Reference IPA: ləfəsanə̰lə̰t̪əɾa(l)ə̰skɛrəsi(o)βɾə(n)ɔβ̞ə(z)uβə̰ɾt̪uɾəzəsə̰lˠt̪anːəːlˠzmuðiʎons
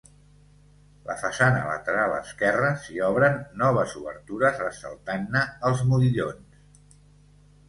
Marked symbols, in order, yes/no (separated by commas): yes, no, no, yes